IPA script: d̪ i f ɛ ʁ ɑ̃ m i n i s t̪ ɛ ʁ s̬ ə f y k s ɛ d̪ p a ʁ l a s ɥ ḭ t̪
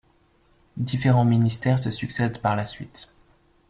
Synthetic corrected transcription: d̪ i f e ʁ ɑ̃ m i n i s t̪ ɛ ʁ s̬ ə s y k s ɛ d̪ p a ʁ l a s ɥ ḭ t̪